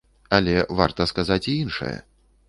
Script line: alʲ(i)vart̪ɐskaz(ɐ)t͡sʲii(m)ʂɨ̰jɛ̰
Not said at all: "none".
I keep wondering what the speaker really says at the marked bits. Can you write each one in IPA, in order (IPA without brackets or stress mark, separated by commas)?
ɛ, a, n